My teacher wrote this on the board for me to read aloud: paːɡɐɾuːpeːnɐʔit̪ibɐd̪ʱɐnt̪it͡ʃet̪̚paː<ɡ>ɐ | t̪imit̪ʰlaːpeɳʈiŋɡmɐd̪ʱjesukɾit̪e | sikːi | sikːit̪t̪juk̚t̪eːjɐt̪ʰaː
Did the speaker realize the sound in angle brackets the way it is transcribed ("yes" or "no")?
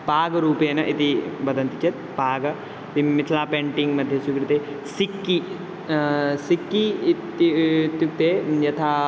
yes